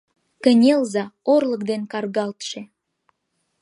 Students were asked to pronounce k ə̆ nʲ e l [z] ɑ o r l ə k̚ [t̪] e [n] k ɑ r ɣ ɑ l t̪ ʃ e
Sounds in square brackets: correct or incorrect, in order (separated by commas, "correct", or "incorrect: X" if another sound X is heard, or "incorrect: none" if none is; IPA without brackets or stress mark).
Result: correct, incorrect: d̪, correct